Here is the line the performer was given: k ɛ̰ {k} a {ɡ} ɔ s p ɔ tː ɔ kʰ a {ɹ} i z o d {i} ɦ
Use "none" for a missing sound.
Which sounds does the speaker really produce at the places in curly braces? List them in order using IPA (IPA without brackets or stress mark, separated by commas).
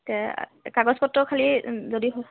k, ɡ, l, i